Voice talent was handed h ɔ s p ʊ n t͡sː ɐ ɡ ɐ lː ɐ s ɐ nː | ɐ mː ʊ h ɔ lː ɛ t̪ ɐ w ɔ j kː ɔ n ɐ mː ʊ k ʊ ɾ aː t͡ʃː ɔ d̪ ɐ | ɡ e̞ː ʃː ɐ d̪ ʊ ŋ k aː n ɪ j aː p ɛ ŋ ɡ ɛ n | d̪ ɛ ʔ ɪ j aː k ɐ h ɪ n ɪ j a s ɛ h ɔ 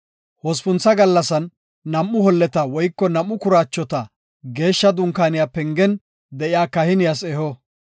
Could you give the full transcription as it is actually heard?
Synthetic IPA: h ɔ s p ʊ n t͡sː ɐ ɡ ɐ lː ɐ s ɐ nː | ɐ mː ʊ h ɔ lː ɛ t̪ ɐ w ɔ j kː ɔ n ɐ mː ʊ k ʊ ɾ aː t͡ʃː ɔ t̪ ɐ | ɡ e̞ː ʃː ɐ d̪ ʊ ŋ k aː n ɪ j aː p ɛ ŋ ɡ ɛ n | d̪ ɛ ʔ ɪ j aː k ɐ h ɪ n ɪ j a s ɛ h ɔ